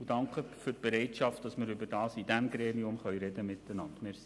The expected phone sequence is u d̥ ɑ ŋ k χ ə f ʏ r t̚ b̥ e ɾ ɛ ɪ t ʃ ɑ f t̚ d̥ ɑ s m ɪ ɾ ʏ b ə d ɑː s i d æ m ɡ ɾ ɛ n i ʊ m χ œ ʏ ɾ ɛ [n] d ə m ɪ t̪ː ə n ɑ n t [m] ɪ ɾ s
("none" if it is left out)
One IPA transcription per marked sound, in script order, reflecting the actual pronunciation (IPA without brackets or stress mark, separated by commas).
none, m